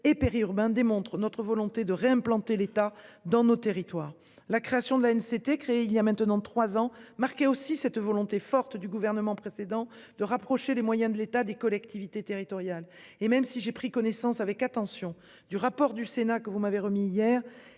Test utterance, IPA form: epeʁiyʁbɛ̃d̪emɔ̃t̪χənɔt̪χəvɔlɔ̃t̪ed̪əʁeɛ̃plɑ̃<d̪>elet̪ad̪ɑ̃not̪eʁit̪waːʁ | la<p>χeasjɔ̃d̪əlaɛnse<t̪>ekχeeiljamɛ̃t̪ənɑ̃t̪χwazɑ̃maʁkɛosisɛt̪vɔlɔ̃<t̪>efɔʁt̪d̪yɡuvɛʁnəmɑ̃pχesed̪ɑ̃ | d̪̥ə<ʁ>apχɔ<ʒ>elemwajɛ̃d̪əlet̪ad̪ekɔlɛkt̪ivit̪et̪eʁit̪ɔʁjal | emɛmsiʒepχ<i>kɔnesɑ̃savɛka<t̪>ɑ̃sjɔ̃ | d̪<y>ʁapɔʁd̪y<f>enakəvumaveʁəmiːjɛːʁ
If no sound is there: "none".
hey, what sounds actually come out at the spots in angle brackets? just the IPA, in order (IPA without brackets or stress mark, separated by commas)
t̪, k, t̪, t̪, ʁ, ʃ, i, t̪, y, s